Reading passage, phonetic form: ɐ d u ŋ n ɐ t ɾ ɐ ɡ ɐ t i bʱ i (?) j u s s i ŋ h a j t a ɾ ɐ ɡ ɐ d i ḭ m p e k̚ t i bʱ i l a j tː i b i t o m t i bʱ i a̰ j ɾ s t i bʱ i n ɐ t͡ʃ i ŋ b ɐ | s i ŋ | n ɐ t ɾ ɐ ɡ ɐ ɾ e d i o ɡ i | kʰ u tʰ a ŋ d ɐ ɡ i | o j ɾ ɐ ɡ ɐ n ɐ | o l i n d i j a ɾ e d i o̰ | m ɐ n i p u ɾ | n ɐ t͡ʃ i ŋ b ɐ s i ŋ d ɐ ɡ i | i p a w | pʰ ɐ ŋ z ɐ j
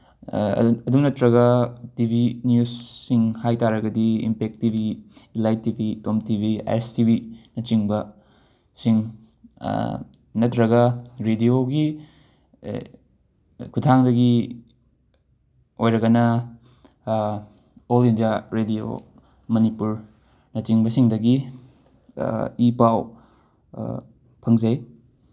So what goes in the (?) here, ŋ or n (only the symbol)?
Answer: n